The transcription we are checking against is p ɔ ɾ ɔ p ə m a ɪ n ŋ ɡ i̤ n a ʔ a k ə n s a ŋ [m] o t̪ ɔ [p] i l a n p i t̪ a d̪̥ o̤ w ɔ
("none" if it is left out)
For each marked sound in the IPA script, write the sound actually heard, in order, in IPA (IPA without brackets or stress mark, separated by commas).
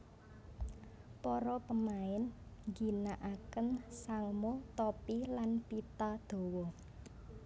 m, p